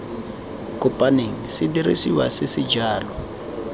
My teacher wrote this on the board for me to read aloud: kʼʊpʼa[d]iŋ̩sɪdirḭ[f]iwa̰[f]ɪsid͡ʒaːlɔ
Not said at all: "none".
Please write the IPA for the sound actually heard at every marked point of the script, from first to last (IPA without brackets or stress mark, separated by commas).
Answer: n, s, s